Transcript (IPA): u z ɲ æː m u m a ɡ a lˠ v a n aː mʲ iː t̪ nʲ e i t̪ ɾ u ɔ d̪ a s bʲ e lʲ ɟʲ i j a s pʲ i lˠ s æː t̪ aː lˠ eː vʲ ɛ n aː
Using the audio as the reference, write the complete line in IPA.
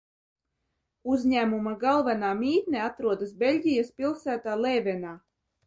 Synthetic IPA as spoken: u z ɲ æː m u m a ɡ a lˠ v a n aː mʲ iː t̪ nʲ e a t̪ ɾ u ɔ d̪ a s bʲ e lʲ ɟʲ i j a s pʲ i lˠ s æː t̪ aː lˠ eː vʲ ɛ n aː